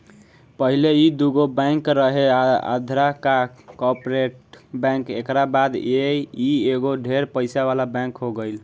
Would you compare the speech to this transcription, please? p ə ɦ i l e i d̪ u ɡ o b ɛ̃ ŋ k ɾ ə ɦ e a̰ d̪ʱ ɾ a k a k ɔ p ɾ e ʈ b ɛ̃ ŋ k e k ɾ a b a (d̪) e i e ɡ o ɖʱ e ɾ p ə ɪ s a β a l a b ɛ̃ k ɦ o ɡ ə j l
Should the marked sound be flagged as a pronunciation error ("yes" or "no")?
no